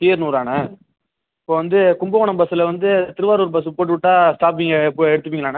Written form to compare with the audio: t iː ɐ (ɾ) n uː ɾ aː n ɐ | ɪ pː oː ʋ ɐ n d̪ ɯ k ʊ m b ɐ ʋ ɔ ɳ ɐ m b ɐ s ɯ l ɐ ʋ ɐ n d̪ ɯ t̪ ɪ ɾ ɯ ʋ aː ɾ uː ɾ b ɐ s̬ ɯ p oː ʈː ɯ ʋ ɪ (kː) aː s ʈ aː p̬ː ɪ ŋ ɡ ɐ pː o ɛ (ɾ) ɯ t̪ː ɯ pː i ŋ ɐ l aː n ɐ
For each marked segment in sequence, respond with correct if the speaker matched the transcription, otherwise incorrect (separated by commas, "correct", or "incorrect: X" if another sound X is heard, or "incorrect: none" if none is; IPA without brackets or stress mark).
correct, incorrect: ʈː, incorrect: ɽ